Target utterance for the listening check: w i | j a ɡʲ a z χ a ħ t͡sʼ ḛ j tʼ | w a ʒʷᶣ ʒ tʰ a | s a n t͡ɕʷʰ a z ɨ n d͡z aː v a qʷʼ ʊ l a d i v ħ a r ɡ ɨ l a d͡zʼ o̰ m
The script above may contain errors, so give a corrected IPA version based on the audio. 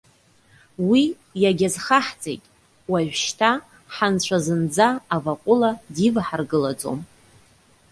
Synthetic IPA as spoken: w i | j a ɡʲ a z χ a ħ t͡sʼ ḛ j tʼ | w a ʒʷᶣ ʃ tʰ a | ħ a n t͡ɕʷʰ a z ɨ n d͡z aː v a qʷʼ ʊ l a d i v ħ a r ɡ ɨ l a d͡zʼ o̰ m